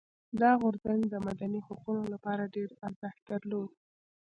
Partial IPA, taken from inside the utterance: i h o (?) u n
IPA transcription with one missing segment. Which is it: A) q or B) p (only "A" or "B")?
A